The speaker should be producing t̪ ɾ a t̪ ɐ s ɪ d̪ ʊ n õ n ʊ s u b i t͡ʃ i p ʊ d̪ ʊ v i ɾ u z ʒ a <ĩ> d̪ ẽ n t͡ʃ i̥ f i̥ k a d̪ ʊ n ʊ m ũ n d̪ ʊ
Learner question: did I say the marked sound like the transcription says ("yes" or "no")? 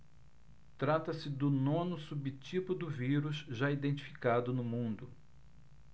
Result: no